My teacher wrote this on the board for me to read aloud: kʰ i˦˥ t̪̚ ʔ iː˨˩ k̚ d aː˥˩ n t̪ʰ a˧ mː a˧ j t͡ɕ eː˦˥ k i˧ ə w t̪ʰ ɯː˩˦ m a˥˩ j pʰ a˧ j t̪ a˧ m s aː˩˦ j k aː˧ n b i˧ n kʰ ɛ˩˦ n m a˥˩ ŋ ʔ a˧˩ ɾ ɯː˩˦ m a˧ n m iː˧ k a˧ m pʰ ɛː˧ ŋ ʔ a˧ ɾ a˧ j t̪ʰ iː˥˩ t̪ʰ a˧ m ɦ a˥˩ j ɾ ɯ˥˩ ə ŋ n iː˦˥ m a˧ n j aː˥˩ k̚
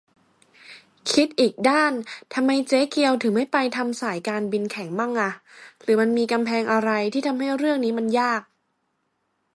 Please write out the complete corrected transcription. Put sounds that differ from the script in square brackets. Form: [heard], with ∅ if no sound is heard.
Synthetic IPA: kʰ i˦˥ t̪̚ ʔ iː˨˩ k̚ d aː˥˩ n t̪ʰ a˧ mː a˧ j t͡ɕ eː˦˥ k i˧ ə w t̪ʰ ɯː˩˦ m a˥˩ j [p] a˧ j [t̪ʰ] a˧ m s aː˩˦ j k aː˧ n b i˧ n kʰ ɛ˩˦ [ŋ] m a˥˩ ŋ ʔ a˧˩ ɾ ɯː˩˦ m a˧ n m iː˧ k a˧ m pʰ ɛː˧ ŋ ʔ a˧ ɾ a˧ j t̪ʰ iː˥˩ t̪ʰ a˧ m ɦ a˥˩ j ɾ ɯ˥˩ ə ŋ n iː˦˥ m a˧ n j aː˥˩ k̚